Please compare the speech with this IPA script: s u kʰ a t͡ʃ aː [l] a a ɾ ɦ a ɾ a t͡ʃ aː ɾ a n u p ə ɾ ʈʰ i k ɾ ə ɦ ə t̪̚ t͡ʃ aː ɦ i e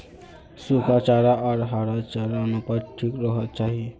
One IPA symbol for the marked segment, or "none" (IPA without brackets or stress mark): ɾ